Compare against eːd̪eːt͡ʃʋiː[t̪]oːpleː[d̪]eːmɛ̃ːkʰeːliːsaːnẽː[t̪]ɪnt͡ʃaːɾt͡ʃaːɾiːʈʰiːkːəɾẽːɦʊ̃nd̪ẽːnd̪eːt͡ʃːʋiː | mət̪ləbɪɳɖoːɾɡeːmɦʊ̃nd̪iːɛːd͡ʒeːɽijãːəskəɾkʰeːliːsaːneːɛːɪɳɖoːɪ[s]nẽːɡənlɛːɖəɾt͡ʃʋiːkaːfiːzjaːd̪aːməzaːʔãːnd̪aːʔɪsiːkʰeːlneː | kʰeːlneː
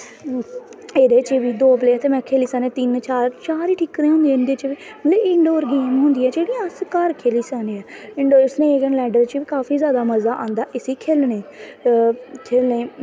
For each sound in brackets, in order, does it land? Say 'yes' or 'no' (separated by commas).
no, no, yes, yes